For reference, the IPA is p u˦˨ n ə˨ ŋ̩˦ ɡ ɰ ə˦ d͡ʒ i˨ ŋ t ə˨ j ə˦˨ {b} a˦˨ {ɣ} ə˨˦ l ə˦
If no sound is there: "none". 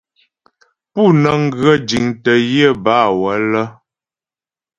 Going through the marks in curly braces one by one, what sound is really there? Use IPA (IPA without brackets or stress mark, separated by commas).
b, w